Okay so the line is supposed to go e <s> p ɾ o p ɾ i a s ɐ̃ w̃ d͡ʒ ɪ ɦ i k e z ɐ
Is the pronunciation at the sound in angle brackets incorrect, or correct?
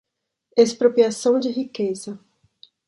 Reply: correct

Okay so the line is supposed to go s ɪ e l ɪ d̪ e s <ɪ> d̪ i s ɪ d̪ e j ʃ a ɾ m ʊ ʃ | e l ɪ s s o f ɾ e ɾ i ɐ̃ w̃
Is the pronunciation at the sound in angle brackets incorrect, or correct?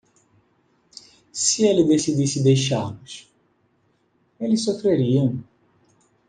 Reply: incorrect: i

